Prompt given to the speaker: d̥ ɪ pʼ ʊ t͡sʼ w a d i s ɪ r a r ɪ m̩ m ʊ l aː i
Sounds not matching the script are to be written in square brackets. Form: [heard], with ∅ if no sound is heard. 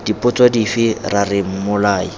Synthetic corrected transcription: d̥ [i] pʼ ʊ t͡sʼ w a d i [f] ɪ r a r ɪ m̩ m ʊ l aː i